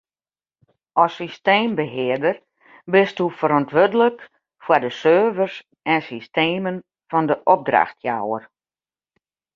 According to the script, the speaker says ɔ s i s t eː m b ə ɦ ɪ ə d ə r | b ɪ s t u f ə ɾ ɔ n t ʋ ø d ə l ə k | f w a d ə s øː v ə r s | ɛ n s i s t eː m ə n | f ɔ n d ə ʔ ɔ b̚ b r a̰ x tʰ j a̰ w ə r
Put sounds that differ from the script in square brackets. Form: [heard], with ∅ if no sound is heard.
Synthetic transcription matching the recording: ɔ s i s t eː m b ə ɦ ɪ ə d ə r | b ɪ s t u f ə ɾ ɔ n t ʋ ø d ə l ə k | f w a d ə s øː v ə r s | ɛ n s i s t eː m ə n | f ɔ n d ə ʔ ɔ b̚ [d] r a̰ x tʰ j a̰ w ə r